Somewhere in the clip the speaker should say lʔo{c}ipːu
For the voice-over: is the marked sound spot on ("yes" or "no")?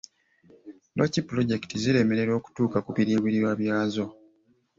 yes